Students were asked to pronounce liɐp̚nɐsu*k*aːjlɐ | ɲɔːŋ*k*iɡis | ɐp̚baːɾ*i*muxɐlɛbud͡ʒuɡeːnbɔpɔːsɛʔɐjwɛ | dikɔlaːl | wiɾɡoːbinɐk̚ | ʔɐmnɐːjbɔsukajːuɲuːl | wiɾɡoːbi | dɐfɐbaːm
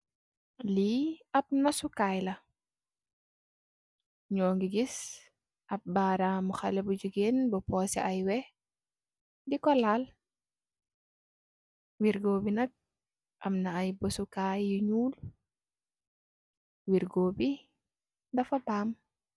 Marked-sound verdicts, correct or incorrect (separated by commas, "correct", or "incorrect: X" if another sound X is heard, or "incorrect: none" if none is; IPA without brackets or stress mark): correct, incorrect: ɡ, incorrect: a